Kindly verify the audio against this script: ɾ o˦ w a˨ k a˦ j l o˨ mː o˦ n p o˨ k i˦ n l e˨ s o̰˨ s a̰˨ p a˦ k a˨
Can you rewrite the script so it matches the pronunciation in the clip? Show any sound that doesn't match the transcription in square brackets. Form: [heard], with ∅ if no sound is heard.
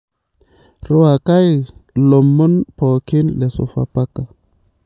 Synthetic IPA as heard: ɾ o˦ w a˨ k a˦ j l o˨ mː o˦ n p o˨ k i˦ n l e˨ s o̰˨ [f] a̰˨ p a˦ k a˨